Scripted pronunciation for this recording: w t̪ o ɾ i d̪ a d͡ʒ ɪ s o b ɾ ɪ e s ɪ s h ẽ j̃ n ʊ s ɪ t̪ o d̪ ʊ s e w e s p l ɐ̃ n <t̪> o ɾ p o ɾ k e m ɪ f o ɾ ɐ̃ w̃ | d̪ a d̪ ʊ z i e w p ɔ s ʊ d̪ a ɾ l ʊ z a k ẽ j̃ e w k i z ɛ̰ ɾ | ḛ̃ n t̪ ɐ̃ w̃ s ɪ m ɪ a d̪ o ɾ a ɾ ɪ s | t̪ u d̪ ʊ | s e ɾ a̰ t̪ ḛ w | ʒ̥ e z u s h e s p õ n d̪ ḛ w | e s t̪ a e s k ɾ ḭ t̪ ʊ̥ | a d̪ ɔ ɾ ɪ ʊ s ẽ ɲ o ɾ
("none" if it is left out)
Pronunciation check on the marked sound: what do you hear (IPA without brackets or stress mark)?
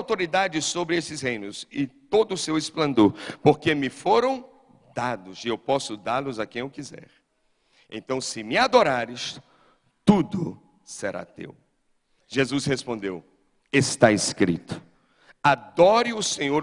d̪